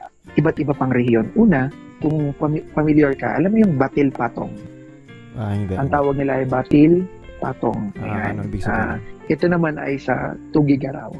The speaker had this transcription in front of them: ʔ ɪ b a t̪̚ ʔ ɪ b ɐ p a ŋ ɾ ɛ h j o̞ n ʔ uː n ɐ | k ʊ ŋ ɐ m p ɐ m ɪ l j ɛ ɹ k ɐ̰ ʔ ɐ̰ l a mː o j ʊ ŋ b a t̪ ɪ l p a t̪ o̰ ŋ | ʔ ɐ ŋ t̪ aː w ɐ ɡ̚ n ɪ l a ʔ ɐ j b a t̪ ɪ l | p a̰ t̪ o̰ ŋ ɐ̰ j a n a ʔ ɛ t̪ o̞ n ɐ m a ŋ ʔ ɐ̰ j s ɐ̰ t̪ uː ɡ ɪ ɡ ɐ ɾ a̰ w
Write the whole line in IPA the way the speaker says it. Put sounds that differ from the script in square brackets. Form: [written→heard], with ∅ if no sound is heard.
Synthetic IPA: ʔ ɪ b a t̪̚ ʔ ɪ b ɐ p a ŋ ɾ ɛ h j o̞ n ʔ uː n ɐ | k ʊ ŋ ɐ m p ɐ m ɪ l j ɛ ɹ k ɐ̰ ʔ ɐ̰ l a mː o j ʊ ŋ b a t̪ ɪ l p a t̪ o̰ ŋ | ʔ ɐ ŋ t̪ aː w ɐ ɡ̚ n ɪ l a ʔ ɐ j b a t̪ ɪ l | p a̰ t̪ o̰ ŋ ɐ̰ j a n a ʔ ɛ t̪ o̞ n ɐ m a [ŋ→n] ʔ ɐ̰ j s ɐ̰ t̪ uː ɡ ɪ ɡ ɐ ɾ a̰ w